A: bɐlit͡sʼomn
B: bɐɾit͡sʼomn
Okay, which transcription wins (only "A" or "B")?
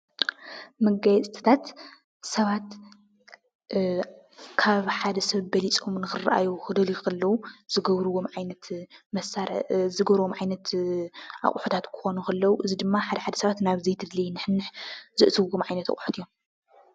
A